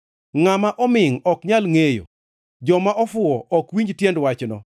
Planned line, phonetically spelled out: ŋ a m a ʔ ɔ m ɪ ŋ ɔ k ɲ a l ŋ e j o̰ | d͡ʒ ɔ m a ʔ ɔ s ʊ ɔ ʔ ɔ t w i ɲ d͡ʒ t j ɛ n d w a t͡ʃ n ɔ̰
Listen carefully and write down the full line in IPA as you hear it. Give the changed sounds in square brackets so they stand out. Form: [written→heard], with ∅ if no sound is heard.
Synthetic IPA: ŋ a m a ʔ ɔ m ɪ ŋ ɔ k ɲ a l ŋ e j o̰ | d͡ʒ ɔ m a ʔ ɔ [s→f] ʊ ɔ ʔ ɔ [t→k] w i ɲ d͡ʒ t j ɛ n d w a t͡ʃ n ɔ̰